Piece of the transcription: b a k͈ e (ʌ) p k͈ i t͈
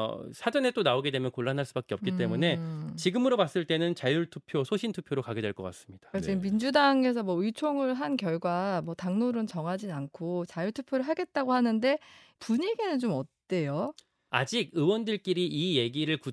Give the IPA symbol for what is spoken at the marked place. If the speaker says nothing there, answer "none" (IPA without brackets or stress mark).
ʌ